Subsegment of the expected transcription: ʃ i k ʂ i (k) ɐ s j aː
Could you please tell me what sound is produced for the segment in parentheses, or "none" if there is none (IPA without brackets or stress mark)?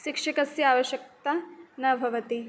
k